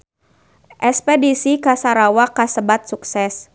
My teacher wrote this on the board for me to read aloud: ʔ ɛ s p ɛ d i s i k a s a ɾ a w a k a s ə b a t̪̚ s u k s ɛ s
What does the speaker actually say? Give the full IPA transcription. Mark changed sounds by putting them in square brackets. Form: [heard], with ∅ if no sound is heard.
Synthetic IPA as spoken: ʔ ɛ s p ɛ d i s i k a s a ɾ a w a k a s ə b a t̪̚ s u k s ɛ s